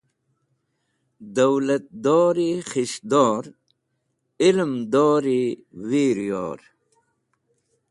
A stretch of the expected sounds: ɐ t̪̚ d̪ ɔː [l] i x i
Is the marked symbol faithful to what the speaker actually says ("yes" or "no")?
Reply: no